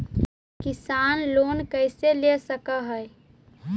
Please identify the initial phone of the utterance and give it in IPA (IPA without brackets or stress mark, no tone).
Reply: k